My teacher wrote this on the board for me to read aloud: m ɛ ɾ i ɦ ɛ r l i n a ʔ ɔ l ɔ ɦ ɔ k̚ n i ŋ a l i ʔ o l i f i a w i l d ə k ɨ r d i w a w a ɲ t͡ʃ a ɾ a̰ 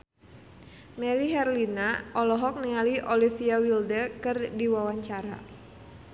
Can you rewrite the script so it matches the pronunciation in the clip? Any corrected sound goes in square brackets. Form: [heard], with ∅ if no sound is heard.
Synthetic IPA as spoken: m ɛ ɾ i ɦ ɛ r l i n a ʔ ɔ l ɔ ɦ ɔ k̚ n i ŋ a l i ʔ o l i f i a w i l d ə k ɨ r d i w a w a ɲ t͡ʃ a ɾ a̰